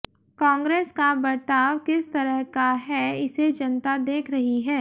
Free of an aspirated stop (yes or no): no